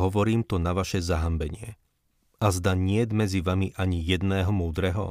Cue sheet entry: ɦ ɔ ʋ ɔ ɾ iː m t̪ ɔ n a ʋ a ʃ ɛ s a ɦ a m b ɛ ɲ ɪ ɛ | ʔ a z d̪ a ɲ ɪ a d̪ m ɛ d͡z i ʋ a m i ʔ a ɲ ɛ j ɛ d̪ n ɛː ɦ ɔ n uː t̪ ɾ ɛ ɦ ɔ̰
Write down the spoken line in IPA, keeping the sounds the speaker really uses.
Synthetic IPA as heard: ɦ ɔ ʋ ɔ ɾ iː m t̪ ɔ n a ʋ a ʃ ɛ z a ɦ a m b ɛ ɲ ɪ ɛ | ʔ a z d̪ a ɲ ɪ ɛ d̪ m ɛ d͡z i ʋ a m i ʔ a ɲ i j ɛ d̪ n ɛː ɦ ɔ m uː d̪ ɾ ɛ ɦ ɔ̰